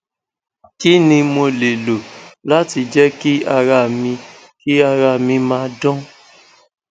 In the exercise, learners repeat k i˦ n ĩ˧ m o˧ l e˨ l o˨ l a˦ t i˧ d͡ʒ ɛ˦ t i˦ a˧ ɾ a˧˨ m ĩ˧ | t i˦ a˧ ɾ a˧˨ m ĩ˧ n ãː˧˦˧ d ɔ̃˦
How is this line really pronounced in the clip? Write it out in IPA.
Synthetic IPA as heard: k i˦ n ĩ˧ m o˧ l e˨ l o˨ l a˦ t i˧ d͡ʒ ɛ˦ k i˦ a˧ ɾ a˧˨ m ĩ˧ | k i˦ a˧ ɾ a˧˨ m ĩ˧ m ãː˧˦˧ d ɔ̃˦